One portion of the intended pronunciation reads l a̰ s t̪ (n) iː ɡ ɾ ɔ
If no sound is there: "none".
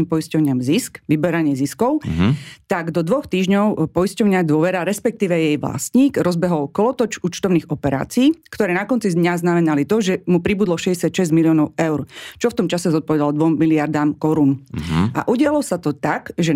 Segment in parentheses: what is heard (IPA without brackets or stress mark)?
ɲ